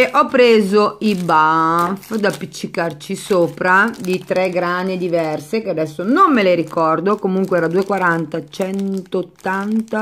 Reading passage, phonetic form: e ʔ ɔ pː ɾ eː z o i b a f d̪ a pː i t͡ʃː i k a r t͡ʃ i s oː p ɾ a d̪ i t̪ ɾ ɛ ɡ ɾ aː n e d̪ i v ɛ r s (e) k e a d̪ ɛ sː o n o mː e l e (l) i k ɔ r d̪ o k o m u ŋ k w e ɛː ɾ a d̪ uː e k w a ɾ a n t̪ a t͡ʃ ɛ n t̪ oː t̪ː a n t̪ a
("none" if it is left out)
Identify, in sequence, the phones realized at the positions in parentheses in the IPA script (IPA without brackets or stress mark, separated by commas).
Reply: e, ɾ